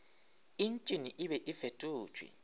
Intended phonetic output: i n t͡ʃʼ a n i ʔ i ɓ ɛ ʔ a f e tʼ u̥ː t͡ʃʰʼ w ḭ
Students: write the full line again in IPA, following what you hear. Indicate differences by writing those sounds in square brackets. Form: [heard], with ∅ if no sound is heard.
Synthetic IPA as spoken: i n t͡ʃʼ [i] n i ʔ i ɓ ɛ ʔ [i] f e tʼ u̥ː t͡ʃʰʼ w ḭ